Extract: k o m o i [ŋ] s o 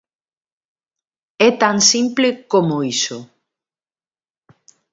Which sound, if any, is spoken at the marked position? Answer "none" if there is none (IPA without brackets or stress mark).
none